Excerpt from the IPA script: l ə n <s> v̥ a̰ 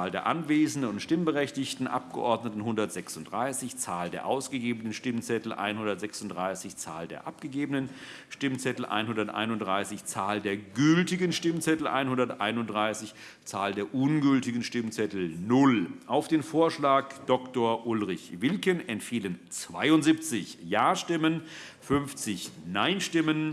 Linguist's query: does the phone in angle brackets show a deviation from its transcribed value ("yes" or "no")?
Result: yes